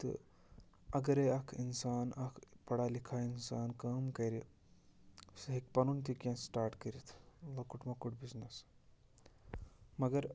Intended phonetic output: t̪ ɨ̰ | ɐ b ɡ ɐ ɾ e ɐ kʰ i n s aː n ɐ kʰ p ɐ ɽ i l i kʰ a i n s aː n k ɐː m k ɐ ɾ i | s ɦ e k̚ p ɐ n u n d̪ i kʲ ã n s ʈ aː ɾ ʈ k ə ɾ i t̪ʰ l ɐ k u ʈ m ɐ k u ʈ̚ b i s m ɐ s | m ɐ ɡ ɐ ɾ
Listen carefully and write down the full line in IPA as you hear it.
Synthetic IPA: t̪ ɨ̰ | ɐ ɡ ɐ ɾ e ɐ kʰ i n s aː n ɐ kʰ p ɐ ɽ a l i kʰ a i n s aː n k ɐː m k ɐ ɾ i | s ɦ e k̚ p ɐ n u n t̪ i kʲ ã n s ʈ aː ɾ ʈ k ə ɾ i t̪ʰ l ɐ k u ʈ m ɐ k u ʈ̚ b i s n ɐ s | m ɐ ɡ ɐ ɾ